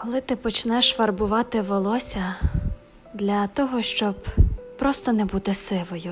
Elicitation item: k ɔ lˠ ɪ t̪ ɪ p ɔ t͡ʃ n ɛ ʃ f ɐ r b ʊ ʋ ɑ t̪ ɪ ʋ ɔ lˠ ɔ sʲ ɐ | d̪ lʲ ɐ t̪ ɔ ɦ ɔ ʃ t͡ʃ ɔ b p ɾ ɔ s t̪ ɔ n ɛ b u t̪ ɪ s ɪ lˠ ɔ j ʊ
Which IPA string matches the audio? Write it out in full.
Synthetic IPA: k ɔ lˠ ɪ t̪ ɪ p ɔ t͡ʃ n ɛ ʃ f ɐ r b ʊ ʋ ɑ t̪ ɪ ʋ ɔ lˠ ɔ sʲ ɐ | d̪ lʲ ɐ t̪ ɔ ɦ ɔ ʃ t͡ʃ ɔ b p ɾ ɔ s t̪ ɔ n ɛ b u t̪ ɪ s ɪ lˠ ɔ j ʊ